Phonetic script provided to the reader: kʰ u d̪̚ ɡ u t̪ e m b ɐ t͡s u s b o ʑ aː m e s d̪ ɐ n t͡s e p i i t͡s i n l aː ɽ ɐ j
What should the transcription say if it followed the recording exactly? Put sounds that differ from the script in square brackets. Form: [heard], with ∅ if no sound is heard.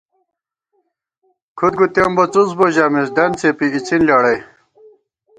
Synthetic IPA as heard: kʰ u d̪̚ ɡ u t̪ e m b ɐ t͡s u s b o ʑ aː m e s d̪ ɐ n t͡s e p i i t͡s i n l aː ɽ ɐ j

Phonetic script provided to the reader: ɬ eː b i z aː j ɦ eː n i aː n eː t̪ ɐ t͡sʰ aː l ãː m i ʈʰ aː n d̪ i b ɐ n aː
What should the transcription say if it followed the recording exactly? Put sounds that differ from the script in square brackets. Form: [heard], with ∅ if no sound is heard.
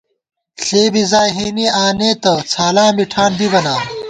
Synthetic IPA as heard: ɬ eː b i z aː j ɦ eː n i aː n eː t̪ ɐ t͡sʰ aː l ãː m i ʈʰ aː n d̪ i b ɐ n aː

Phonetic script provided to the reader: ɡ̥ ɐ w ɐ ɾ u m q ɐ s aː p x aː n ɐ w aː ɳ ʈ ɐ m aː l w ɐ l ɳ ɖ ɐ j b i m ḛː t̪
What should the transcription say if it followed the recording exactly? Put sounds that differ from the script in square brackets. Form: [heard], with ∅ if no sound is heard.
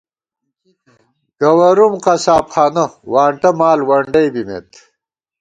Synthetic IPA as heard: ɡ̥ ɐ w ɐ ɾ u m q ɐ s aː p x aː n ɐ w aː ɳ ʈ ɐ m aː l w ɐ [∅] ɳ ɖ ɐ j b i m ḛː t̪

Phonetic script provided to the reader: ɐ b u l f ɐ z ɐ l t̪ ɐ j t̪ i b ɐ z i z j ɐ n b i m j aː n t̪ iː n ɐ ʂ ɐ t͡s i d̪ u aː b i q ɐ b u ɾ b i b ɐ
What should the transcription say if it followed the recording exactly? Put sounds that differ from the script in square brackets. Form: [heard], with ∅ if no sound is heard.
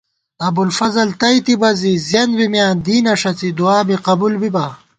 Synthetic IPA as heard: ɐ b u l f ɐ z ɐ l t̪ ɐ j t̪ i b ɐ z i z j ɐ n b i m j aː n [d̪] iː n ɐ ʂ ɐ t͡s i d̪ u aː b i q ɐ b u [l] b i b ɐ

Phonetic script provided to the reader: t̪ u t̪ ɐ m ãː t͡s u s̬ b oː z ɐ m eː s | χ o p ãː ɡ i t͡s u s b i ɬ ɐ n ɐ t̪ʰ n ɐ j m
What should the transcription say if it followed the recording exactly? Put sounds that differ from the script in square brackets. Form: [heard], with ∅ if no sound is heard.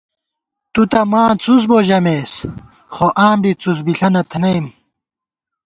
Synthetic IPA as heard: t̪ u t̪ ɐ m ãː t͡s u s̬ b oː [ʑ] ɐ m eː s | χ o [ʔ] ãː [b] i t͡s u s b i ɬ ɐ n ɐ t̪ʰ n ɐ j m

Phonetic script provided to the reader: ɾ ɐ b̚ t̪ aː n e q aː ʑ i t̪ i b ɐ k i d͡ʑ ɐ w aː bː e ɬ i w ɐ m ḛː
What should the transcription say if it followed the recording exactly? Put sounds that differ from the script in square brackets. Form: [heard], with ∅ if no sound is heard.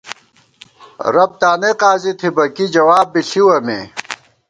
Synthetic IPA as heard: ɾ ɐ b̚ t̪ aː n e q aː [z] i [t̪ʰ] i b ɐ k i d͡ʑ ɐ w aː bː [i] ɬ i w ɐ m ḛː

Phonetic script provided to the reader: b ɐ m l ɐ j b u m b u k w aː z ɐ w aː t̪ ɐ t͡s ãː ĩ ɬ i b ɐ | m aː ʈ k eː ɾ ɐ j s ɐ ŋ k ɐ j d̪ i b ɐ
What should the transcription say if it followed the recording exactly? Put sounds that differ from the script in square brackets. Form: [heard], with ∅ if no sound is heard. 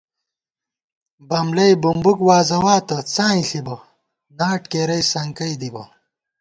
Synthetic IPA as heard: b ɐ m l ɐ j b u m b u k w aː z ɐ w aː t̪ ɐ t͡s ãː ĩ ɬ i b ɐ | [n] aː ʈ k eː ɾ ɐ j s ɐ ŋ k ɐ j d̪ i b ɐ

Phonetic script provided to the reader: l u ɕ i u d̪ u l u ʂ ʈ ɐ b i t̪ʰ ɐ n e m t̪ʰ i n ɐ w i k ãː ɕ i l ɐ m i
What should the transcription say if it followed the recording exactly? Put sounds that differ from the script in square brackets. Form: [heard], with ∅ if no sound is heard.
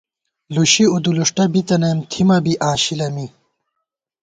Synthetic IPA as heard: l u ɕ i u d̪ u l u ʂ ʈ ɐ b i [t̪] ɐ n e m t̪ʰ i [m] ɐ [b] i [ʔ] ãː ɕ i l ɐ m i

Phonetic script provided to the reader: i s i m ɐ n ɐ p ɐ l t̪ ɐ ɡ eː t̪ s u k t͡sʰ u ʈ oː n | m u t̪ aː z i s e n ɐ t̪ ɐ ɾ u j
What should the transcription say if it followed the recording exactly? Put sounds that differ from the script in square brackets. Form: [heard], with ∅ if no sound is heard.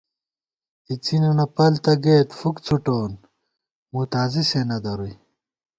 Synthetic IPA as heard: i [t͡s] i [n] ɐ n ɐ p ɐ l t̪ ɐ ɡ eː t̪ [f] u k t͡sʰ u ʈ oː n | m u t̪ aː z i s e n ɐ [d̪] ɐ ɾ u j

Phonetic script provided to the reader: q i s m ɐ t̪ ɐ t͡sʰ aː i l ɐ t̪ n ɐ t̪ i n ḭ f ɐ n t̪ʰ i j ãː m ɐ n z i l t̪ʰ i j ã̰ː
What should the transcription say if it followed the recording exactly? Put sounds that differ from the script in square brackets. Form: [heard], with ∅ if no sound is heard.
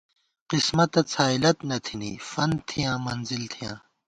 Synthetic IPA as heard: q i s m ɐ t̪ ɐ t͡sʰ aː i l ɐ t̪ n ɐ [t̪ʰ] i n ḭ f ɐ n t̪ʰ i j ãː m ɐ n z i l t̪ʰ i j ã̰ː

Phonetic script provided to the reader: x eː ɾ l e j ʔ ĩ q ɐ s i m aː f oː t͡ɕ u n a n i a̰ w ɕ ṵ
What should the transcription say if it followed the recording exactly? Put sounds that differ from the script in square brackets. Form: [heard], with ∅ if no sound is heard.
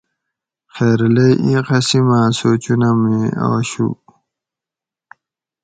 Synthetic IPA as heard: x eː ɾ l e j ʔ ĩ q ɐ s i m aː [s] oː t͡ɕ u n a [m] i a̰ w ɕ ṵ

